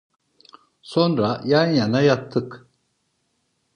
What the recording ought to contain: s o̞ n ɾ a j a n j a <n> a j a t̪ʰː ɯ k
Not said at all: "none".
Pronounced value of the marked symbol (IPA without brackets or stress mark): n